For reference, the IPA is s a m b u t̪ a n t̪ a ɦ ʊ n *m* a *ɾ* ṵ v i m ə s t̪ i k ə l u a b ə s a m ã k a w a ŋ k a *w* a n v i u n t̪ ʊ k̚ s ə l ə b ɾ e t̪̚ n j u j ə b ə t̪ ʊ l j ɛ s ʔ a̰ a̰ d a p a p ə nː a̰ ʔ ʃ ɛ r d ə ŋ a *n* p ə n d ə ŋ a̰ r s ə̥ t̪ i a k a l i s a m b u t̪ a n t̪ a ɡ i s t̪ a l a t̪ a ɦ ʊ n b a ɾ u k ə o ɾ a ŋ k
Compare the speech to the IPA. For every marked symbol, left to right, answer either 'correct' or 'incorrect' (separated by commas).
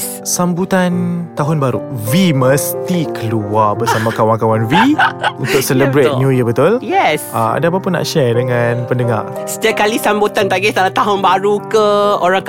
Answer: incorrect, correct, correct, correct